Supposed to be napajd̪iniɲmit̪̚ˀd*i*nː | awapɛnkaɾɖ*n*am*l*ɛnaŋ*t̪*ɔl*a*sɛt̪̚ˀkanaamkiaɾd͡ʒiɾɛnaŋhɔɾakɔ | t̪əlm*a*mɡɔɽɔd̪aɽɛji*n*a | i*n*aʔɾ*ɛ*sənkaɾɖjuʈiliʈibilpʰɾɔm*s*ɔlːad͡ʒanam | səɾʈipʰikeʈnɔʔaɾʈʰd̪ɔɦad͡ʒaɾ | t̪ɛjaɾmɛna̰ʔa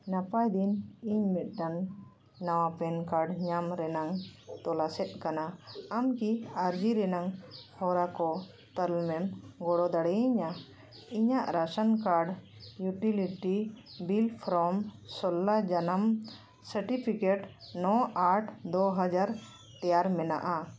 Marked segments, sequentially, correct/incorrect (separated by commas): incorrect, incorrect, incorrect, correct, correct, incorrect, incorrect, incorrect, incorrect, correct